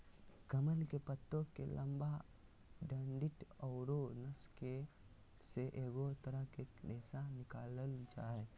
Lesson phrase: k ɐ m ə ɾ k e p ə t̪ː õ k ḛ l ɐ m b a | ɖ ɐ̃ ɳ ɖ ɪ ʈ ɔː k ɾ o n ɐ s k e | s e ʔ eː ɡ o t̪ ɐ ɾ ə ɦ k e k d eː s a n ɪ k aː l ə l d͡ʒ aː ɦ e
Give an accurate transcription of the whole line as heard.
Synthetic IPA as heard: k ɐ m ə l k e p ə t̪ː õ k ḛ l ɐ m b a | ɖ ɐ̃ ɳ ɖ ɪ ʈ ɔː ɾ o n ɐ s k e | s e ʔ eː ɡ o t̪ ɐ ɾ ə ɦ k e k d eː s a n ɪ k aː l ə l d͡ʒ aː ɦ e